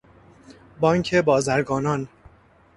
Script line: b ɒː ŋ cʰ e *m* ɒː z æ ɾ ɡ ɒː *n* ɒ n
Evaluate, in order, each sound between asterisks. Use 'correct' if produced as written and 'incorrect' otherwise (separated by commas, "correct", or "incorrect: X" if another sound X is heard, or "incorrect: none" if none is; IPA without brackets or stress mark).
incorrect: b, correct